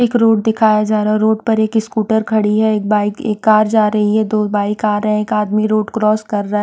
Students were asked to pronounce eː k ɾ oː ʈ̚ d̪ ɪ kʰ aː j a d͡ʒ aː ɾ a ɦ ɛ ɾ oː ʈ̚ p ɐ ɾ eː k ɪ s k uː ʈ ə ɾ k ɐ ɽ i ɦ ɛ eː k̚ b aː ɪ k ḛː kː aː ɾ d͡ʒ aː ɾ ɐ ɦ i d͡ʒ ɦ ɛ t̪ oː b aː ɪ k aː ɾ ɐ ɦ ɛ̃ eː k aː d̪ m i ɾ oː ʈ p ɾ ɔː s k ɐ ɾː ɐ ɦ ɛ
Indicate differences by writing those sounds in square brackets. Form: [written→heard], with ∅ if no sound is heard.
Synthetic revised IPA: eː k ɾ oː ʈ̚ d̪ ɪ kʰ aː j a d͡ʒ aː ɾ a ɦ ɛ ɾ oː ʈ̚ p ɐ ɾ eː k ɪ s k uː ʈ ə ɾ [k→kʰ] ɐ ɽ i ɦ ɛ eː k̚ b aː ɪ k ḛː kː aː ɾ d͡ʒ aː ɾ ɐ ɦ i [d͡ʒ→∅] ɦ ɛ [t̪→d̪] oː b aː ɪ k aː ɾ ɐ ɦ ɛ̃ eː k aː d̪ m i ɾ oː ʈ [p→k] ɾ ɔː s k ɐ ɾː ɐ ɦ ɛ